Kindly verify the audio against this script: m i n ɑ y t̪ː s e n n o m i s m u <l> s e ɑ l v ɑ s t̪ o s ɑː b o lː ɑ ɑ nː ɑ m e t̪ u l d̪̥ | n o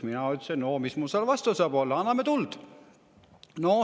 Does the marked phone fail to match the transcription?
no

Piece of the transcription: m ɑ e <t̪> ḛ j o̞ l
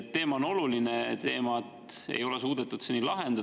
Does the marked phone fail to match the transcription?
no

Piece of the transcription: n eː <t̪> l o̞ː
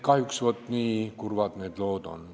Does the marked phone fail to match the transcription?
yes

